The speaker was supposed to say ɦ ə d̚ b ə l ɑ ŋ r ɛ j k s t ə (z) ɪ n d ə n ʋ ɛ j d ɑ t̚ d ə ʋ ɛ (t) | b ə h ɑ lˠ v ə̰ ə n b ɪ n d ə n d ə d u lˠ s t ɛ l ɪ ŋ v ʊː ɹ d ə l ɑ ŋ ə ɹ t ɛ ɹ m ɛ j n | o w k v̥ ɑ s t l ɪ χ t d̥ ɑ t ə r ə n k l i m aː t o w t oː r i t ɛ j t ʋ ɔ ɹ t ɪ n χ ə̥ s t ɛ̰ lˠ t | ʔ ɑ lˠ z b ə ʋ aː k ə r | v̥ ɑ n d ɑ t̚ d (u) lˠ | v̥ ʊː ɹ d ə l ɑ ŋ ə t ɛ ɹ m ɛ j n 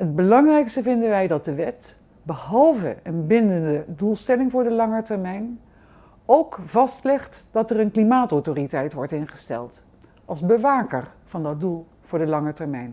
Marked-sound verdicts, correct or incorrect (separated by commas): incorrect, correct, correct